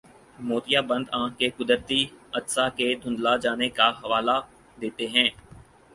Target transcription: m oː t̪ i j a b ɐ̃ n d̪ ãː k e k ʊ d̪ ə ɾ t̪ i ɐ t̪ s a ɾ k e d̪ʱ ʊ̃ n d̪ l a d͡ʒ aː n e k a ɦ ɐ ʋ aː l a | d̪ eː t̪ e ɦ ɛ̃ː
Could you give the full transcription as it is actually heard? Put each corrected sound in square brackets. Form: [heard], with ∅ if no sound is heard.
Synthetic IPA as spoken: m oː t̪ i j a b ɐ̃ n d̪ ãː k e k ʊ d̪ ə ɾ t̪ i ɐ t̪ s a [∅] k e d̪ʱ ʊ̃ n d̪ l a d͡ʒ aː n e k a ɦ ɐ ʋ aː l a | d̪ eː t̪ e ɦ ɛ̃ː